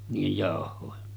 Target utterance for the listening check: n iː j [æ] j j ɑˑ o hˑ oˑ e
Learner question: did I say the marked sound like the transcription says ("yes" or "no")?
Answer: no